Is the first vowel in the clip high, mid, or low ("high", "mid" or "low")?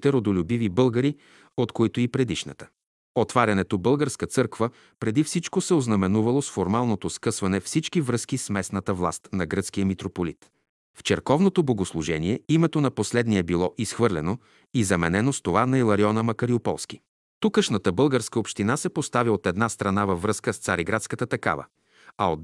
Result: mid